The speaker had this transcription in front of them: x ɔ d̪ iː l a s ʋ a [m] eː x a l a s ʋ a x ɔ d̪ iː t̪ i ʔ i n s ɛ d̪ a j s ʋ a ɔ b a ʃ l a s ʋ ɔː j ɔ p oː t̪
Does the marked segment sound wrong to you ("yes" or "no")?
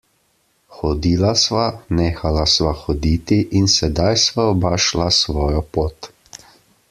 yes